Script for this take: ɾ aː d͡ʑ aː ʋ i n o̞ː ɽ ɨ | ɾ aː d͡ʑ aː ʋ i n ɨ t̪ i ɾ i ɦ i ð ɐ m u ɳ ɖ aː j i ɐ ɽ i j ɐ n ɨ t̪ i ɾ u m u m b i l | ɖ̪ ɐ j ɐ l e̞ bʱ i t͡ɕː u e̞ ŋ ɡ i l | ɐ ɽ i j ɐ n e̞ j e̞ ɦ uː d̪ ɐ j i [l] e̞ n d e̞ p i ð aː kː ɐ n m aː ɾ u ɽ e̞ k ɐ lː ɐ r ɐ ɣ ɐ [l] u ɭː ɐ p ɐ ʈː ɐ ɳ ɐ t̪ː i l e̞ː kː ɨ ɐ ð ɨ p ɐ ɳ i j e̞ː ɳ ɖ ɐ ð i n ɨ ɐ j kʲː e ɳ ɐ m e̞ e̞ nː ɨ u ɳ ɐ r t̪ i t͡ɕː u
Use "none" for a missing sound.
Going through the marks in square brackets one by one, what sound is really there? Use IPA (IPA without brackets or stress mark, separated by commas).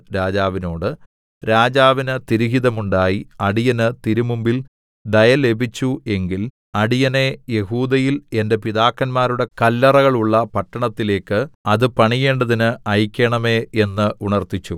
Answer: l, ɭ